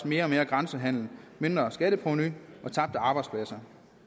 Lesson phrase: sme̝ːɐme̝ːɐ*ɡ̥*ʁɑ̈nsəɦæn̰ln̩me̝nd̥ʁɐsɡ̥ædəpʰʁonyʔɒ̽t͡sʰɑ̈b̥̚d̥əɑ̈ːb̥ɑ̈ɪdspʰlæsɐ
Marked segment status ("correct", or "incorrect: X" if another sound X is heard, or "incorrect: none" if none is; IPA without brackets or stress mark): correct